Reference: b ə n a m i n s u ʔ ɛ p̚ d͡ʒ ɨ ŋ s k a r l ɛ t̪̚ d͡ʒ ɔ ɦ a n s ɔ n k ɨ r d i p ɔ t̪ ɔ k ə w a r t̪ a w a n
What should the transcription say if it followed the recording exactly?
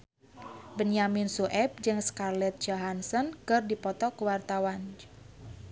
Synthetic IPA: b ə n a m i n s u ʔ ɛ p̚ d͡ʒ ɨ ŋ s k a r l ɛ t̪̚ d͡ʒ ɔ ɦ a n s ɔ n k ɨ r d i p ɔ t̪ ɔ k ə w a r t̪ a w a n